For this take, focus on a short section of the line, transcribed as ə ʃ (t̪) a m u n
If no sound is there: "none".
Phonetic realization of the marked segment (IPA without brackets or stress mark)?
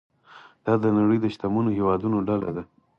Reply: t̪